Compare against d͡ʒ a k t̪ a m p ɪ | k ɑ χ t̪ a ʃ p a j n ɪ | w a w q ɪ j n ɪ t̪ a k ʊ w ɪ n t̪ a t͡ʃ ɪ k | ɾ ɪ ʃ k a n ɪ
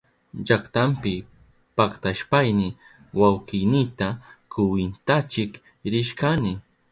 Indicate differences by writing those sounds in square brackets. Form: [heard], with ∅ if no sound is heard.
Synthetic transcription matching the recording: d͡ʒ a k t̪ a m p ɪ | [p] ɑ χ t̪ a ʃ p a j n ɪ | w a w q ɪ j n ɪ t̪ a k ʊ w ɪ n t̪ a t͡ʃ ɪ k | ɾ ɪ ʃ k a n ɪ